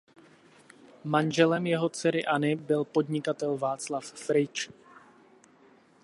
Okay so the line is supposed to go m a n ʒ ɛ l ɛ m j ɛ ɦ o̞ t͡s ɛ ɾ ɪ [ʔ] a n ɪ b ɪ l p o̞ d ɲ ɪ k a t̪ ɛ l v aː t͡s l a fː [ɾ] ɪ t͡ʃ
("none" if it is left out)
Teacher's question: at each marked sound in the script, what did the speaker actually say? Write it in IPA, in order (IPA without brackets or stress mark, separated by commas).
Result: ʔ, ɾ